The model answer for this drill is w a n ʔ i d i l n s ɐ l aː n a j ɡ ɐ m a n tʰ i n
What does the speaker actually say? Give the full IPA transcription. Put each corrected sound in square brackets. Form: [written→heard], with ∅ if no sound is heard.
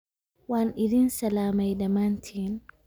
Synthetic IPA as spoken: w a n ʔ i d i [l→∅] n s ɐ l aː [n→m] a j [ɡ→d] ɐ m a n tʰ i n